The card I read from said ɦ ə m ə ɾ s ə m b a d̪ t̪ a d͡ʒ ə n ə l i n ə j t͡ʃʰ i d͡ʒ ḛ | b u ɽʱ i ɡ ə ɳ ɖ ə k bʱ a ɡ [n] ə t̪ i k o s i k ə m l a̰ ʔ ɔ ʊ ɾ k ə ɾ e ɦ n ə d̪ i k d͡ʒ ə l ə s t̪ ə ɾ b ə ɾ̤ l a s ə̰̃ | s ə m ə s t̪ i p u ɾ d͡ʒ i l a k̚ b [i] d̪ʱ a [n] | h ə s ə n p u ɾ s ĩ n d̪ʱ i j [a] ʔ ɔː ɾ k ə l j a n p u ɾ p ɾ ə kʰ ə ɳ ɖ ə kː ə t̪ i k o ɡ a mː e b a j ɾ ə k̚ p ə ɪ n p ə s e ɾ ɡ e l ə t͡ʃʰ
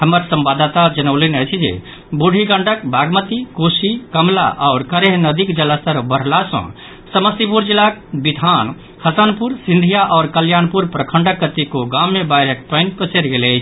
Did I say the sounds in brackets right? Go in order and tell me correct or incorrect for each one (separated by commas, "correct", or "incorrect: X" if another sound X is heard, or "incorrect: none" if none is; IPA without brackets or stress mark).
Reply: incorrect: m, correct, correct, correct